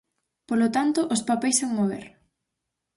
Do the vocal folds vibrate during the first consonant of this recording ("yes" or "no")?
no